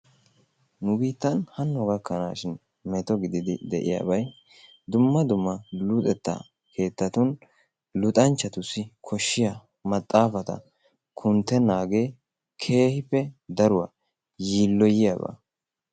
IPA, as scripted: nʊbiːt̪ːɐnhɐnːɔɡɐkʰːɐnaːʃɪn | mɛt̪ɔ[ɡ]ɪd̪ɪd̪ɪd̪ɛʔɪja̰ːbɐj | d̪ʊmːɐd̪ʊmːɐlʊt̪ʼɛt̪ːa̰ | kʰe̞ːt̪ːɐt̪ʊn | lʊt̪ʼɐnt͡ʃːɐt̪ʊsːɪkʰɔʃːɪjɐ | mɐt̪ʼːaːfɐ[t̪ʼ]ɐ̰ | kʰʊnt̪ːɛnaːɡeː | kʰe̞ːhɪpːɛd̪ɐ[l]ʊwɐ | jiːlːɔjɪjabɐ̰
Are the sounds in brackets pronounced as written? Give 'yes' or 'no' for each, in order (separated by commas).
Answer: yes, no, no